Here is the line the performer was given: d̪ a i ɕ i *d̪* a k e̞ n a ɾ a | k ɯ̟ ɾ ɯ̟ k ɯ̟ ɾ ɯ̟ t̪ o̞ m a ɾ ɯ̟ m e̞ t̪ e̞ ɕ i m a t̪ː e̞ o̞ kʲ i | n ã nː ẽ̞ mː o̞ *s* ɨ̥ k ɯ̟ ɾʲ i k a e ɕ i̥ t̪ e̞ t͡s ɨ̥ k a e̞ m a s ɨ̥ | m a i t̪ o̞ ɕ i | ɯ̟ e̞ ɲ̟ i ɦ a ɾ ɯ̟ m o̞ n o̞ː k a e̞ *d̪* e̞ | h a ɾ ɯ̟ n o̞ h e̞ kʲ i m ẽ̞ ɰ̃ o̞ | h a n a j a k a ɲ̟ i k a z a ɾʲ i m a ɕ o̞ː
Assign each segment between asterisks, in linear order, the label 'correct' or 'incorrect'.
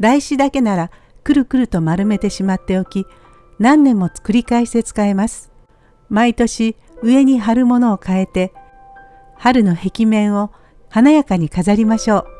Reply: correct, incorrect, incorrect

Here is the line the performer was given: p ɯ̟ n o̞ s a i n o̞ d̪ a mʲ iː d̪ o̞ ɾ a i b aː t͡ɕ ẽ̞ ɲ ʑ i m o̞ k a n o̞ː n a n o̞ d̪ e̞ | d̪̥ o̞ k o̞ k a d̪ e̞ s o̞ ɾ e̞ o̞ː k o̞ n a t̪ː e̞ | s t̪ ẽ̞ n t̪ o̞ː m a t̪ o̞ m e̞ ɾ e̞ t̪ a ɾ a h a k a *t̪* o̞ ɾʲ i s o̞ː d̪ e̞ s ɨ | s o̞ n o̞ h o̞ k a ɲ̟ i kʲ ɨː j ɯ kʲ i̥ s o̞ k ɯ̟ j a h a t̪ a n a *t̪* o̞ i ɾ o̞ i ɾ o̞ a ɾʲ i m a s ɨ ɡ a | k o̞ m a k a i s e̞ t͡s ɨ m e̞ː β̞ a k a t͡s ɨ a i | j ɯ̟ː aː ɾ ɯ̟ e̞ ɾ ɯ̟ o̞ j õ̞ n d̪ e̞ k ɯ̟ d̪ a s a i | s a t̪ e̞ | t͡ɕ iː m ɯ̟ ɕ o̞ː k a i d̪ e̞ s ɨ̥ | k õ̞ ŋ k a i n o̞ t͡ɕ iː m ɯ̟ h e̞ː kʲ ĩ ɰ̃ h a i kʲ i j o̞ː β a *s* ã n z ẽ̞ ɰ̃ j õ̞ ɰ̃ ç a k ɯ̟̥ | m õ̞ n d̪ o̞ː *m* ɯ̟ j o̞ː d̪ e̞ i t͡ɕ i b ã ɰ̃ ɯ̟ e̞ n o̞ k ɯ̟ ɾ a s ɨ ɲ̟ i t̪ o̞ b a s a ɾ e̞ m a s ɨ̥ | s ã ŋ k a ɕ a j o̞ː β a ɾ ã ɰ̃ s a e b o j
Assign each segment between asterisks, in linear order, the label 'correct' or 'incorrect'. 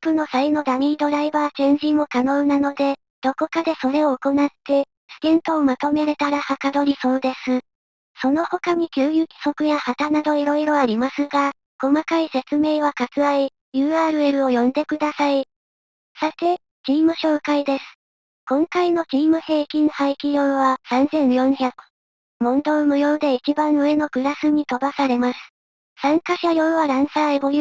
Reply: incorrect, incorrect, correct, correct

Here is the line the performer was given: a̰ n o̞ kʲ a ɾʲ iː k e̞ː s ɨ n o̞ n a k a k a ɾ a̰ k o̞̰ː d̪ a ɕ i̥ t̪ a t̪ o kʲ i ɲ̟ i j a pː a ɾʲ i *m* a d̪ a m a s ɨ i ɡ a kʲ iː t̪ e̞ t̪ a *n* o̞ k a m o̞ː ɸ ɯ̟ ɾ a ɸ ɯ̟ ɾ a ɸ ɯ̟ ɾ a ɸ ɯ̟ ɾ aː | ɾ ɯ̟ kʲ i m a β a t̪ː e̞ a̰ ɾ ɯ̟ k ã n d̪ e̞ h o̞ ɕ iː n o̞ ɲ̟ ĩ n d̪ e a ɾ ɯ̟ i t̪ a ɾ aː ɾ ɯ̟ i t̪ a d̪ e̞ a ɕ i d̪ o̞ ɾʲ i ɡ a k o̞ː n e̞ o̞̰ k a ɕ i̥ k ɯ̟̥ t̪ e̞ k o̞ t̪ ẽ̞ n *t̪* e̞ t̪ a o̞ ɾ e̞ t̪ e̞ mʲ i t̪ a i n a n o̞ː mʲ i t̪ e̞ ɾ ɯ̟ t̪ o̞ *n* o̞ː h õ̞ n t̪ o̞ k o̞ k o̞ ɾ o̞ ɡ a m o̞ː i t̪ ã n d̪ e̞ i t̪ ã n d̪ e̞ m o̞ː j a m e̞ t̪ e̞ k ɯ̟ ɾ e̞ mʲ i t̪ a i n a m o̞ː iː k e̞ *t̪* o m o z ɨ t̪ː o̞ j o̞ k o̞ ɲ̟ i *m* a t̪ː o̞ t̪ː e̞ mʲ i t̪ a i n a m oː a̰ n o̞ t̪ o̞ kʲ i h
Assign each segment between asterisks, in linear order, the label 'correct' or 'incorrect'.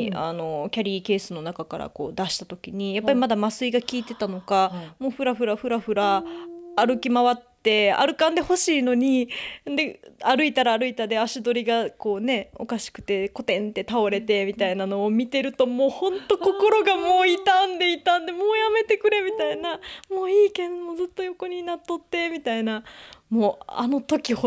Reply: correct, correct, correct, incorrect, incorrect, incorrect

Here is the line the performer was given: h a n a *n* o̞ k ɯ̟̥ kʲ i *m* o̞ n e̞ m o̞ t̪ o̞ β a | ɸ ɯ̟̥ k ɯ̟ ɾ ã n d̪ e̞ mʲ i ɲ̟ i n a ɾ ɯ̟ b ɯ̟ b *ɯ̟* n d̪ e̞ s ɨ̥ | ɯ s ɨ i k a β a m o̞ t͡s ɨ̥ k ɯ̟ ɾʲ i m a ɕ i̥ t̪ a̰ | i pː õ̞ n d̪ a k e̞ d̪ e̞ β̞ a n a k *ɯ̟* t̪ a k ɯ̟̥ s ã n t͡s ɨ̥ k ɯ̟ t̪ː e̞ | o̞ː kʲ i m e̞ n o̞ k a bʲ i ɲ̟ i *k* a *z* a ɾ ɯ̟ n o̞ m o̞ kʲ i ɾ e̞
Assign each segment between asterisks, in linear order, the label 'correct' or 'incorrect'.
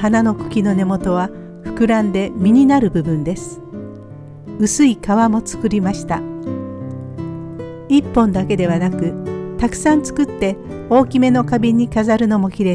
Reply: correct, incorrect, incorrect, correct, correct, correct

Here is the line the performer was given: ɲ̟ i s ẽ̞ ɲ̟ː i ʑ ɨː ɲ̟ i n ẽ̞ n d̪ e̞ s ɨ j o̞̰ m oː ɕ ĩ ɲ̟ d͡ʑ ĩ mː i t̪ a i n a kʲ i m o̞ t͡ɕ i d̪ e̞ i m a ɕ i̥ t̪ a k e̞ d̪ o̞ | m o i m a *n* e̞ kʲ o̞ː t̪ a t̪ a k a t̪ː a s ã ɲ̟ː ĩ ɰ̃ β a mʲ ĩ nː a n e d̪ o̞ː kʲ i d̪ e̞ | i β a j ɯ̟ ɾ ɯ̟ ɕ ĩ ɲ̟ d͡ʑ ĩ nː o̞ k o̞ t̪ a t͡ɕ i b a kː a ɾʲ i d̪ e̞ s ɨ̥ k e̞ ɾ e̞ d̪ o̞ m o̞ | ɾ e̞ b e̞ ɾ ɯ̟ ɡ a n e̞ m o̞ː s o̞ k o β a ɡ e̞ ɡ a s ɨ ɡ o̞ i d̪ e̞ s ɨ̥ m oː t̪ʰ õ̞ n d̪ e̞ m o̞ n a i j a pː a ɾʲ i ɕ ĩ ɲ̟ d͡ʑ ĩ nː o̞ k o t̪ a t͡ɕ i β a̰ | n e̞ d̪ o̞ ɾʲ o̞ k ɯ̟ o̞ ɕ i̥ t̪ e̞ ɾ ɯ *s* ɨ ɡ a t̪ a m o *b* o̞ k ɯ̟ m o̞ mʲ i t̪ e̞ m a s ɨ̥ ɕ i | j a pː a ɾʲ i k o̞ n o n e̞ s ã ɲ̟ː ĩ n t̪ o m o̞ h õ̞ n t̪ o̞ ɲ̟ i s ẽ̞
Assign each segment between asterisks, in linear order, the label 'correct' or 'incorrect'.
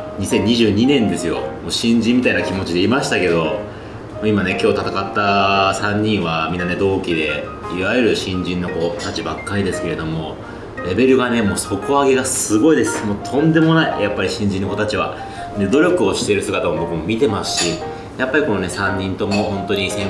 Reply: correct, correct, correct

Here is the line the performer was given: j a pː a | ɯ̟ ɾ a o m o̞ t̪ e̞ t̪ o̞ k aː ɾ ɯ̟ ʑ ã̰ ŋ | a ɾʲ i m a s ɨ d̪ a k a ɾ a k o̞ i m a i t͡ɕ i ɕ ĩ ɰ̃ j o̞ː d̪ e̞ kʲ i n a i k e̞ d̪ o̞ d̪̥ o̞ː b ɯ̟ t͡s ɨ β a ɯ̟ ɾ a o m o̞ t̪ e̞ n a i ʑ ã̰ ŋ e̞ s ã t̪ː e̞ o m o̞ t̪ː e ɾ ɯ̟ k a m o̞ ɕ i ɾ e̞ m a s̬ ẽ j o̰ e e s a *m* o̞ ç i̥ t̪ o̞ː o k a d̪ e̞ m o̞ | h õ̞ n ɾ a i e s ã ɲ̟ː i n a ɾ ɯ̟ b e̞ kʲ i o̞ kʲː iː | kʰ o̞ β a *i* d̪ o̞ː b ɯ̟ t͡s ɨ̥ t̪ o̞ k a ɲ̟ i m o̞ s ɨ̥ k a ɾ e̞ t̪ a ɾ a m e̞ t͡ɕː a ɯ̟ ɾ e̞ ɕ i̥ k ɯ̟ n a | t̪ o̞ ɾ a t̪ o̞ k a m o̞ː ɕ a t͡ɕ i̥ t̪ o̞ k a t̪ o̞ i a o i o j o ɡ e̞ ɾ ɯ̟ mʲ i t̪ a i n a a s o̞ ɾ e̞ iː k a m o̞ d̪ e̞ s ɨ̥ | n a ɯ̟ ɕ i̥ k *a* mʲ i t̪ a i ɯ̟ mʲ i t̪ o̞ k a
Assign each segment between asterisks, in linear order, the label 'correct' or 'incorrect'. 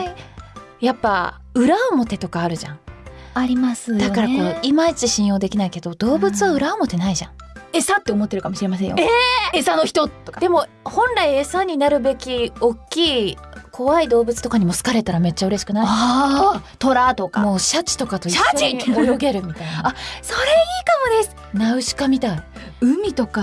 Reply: incorrect, correct, correct

